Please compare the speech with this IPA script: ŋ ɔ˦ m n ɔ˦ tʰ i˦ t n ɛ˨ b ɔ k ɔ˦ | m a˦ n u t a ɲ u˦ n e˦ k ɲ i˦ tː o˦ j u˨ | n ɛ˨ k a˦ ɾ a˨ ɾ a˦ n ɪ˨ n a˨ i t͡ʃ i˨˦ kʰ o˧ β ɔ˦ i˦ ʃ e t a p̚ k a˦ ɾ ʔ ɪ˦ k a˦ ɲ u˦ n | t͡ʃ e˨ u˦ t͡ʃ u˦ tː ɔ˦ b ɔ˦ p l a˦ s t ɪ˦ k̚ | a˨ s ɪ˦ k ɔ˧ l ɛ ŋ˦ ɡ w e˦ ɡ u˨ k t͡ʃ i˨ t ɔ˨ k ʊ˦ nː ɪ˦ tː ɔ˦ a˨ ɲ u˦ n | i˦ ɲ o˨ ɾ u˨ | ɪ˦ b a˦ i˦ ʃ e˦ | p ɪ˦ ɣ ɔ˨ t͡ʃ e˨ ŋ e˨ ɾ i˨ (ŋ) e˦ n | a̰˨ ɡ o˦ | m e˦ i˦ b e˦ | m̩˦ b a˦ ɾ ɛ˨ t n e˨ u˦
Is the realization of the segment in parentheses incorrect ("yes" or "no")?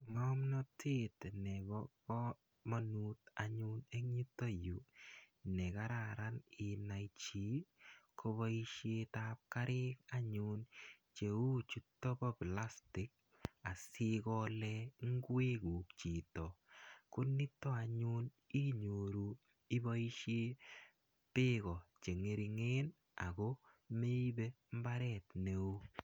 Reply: no